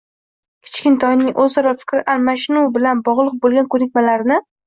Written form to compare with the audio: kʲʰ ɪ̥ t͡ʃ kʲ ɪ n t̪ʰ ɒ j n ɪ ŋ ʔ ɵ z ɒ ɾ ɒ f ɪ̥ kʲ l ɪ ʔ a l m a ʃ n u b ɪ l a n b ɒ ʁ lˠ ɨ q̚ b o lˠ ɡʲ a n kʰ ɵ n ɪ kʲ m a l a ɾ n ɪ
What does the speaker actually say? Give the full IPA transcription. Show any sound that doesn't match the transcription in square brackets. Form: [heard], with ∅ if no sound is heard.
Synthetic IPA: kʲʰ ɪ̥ t͡ʃ kʲ ɪ n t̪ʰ ɒ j n ɪ ŋ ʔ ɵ z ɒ ɾ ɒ f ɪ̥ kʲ [ɾ] ɪ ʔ a l m a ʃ n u b ɪ l a n b ɒ ʁ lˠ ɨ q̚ b o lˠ ɡʲ a n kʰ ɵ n ɪ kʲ m a l a ɾ n ɪ